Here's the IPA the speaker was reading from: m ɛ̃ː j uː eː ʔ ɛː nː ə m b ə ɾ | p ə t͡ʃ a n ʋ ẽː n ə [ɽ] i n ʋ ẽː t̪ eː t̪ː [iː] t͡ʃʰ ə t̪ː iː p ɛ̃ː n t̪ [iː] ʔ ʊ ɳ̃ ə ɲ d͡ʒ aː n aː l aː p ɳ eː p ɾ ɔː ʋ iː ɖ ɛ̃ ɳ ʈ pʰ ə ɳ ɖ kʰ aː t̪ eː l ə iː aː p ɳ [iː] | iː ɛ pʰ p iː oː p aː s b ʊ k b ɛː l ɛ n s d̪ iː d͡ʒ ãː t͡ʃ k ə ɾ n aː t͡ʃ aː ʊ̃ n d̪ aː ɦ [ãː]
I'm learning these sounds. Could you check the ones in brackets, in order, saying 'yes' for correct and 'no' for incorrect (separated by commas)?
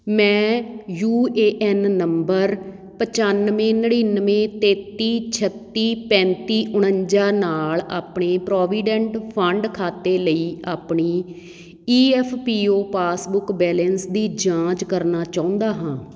yes, yes, yes, yes, yes